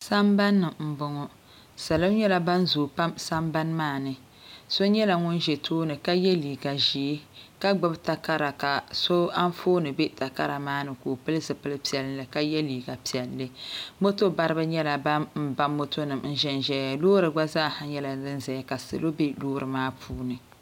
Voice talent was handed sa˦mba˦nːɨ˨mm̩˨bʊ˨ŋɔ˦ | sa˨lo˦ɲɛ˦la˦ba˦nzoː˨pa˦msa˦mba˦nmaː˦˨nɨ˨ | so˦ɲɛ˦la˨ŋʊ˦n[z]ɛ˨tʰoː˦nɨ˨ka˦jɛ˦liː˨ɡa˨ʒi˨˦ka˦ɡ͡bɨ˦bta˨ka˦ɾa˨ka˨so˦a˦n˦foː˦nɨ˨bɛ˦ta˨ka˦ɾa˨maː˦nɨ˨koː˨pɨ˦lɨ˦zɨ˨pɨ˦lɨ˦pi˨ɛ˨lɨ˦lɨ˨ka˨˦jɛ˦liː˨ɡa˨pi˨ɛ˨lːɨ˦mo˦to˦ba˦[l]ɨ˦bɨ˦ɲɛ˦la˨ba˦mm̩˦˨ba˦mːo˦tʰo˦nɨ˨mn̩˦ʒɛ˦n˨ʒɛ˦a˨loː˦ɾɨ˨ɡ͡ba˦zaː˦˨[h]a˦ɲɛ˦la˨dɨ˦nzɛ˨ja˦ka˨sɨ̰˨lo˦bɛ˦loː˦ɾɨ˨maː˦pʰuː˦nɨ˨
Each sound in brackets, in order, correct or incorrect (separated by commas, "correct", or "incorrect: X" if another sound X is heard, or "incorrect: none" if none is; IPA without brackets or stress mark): incorrect: ʒ, incorrect: ɾ, correct